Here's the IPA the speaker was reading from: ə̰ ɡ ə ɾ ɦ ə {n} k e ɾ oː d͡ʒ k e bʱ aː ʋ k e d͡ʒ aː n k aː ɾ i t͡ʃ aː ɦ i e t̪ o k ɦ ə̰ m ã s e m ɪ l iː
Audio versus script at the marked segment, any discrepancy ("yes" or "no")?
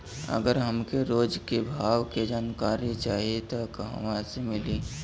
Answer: yes